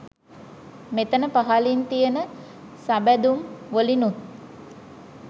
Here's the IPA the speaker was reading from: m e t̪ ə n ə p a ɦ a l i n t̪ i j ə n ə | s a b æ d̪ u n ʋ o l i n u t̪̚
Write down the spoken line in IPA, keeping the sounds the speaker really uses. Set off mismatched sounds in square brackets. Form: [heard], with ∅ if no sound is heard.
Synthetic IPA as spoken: m e t̪ ə n ə p a ɦ a l i n t̪ i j ə n ə | s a b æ d̪ u [m] ʋ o l i n u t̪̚